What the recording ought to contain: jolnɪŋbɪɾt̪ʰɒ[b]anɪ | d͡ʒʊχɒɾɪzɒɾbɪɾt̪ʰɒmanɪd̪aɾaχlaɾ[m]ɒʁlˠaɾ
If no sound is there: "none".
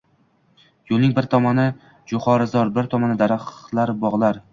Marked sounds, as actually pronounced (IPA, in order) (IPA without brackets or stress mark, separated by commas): m, b